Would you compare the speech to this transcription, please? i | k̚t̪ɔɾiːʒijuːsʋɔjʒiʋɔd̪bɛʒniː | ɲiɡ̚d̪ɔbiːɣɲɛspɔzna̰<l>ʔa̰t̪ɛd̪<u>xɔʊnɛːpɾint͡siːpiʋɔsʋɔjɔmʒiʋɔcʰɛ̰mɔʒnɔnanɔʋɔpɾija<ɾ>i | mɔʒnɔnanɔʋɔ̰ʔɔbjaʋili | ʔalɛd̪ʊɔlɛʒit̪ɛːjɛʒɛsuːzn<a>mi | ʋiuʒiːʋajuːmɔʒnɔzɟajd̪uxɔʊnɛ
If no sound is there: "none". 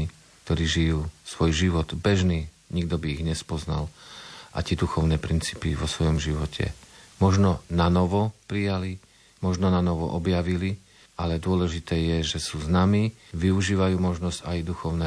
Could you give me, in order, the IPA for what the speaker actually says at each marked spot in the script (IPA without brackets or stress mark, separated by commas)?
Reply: l, u, l, a